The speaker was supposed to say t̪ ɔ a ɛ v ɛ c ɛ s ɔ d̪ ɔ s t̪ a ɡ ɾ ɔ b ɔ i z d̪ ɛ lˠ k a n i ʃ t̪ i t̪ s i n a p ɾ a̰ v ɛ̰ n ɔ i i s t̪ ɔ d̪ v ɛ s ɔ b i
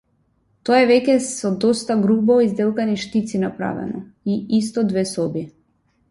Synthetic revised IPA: t̪ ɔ a ɛ v ɛ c ɛ s ɔ d̪ ɔ s t̪ a ɡ ɾ u b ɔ i z d̪ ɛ lˠ k a n i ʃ t̪ i t̪ s i n a p ɾ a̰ v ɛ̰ n ɔ i i s t̪ ɔ d̪ v ɛ s ɔ b i